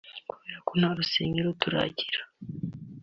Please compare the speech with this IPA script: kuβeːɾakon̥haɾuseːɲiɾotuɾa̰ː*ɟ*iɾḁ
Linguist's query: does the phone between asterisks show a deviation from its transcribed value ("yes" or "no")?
no